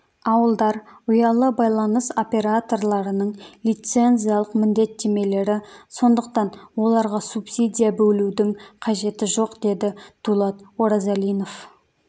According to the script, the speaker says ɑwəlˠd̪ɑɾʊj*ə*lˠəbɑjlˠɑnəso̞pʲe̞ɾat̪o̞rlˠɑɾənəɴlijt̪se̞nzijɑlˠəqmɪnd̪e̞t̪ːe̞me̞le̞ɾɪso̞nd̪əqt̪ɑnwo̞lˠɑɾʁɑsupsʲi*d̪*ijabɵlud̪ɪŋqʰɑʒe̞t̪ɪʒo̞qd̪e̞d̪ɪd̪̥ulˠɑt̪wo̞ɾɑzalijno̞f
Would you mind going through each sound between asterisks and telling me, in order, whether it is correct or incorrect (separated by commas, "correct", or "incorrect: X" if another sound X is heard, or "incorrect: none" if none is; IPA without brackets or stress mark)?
incorrect: ɑ, correct